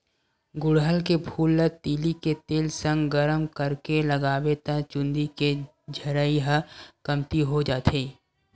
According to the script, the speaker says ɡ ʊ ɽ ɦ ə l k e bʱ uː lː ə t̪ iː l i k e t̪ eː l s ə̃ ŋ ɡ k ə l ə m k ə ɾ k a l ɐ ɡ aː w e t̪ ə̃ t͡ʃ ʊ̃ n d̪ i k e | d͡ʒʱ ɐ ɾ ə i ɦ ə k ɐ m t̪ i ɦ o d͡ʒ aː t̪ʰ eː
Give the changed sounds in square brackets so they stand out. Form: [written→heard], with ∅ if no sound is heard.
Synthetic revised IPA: ɡ ʊ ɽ ɦ ə l k e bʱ uː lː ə t̪ iː l i k e t̪ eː l s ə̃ ŋ ɡ [k→ɡ] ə [l→ɾ] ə m k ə ɾ k [a→e] l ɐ ɡ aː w e t̪ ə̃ t͡ʃ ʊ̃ n d̪ i k e | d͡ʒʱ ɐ ɾ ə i ɦ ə k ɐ m t̪ i ɦ o d͡ʒ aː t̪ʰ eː

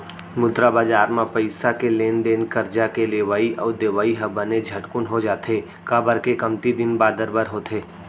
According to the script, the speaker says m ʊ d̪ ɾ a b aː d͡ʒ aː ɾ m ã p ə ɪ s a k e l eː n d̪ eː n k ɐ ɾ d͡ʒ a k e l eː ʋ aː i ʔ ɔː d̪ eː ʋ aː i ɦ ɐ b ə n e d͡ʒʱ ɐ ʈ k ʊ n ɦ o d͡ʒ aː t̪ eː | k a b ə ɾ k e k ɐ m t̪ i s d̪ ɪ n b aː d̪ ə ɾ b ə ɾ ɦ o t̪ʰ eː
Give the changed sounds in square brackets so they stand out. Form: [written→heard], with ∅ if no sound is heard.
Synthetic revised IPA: m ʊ d̪ ɾ a b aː d͡ʒ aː ɾ m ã p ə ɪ s a k e l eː n d̪ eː n k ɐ ɾ d͡ʒ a k e l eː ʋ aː i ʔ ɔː d̪ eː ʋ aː i ɦ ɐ b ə n e d͡ʒʱ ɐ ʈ k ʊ n ɦ o d͡ʒ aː t̪ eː | k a b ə ɾ k e k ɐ m t̪ i [s→∅] d̪ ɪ n b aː d̪ ə ɾ b ə ɾ ɦ o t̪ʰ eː

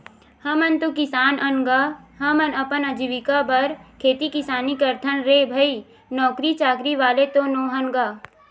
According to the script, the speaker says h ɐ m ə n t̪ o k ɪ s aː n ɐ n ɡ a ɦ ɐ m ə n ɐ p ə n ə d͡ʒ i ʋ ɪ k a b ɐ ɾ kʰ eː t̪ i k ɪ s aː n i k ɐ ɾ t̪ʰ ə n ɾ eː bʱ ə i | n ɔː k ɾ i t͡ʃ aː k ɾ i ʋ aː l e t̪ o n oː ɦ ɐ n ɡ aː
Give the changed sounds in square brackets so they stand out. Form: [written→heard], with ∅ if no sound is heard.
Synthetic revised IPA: h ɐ m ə n t̪ o k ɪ s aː n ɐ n ɡ a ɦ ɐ m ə n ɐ p ə n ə d͡ʒ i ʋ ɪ k a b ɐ ɾ kʰ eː t̪ i k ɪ s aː n i k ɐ ɾ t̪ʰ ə n ɾ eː bʱ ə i | n ɔː k ɾ i t͡ʃ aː k ɾ i ʋ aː l e t̪ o n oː ɦ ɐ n ɡ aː

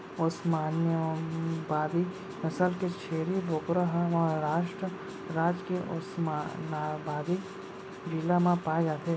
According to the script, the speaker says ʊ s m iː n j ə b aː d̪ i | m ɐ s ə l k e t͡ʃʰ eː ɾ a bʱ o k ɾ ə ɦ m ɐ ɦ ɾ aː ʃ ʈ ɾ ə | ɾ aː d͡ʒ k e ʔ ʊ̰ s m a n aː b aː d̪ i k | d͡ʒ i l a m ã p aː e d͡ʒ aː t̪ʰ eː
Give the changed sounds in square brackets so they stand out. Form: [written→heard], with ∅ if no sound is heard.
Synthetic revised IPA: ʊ s m [iː→aː] n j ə b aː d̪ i | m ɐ s ə l k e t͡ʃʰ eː ɾ [a→i] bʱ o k ɾ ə ɦ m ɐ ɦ ɾ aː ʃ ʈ ɾ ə | ɾ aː d͡ʒ k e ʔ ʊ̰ s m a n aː b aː d̪ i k | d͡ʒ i l a m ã p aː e d͡ʒ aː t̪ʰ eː

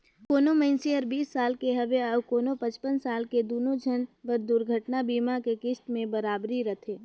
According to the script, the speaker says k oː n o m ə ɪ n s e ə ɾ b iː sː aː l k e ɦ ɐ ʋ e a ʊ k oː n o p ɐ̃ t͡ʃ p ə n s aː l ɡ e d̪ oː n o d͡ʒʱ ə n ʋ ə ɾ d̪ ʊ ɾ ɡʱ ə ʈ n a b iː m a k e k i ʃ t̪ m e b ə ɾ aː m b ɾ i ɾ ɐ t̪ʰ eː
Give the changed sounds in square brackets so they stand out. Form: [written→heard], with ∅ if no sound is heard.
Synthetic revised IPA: k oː n o m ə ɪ n s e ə ɾ b iː sː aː l k e ɦ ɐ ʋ e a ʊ k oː n o p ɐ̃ t͡ʃ p ə n s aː l [ɡ→k] e d̪ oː n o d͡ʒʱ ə n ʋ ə ɾ d̪ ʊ ɾ ɡʱ ə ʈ n a b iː m a k e k [i→ɪ] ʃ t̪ m [e→ẽ] b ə ɾ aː [m→∅] b ɾ i ɾ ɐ t̪ʰ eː

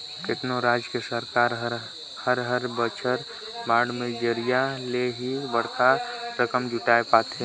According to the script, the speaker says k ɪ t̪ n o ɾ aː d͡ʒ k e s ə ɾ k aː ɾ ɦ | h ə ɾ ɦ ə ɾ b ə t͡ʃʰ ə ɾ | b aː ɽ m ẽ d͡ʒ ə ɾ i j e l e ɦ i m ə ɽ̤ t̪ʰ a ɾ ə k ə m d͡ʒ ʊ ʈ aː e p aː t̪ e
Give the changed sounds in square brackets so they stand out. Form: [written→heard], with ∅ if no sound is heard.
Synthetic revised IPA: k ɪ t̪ n o ɾ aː d͡ʒ k e s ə ɾ k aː ɾ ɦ | h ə ɾ ɦ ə ɾ b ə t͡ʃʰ ə ɾ | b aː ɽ m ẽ d͡ʒ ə ɾ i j [e→a] l e ɦ i [m→b] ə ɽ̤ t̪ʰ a ɾ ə k ə m d͡ʒ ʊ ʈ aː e p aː t̪ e

